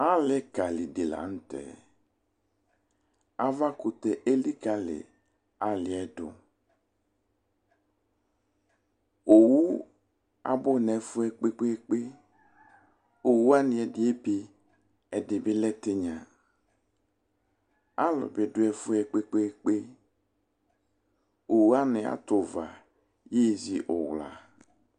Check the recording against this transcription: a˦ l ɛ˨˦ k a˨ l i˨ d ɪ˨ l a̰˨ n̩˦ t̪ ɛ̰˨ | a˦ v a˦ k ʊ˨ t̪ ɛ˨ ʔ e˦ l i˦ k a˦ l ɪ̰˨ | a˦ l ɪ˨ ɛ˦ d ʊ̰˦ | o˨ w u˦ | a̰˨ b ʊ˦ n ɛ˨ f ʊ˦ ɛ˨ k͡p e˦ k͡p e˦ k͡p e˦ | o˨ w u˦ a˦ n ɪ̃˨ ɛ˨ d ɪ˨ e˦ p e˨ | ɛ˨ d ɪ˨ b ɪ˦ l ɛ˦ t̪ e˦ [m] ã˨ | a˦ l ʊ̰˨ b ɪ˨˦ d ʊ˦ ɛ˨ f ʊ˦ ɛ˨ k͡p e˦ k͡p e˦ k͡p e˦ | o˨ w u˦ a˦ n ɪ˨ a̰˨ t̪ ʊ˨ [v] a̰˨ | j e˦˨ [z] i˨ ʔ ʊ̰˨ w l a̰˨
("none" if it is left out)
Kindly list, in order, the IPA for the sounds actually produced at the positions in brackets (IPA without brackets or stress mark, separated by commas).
ɲ, v, z